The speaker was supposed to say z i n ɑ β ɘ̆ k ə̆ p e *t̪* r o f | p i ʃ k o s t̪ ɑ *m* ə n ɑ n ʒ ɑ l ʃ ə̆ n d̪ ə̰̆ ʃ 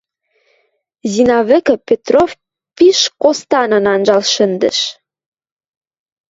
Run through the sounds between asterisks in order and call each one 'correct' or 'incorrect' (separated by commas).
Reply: correct, incorrect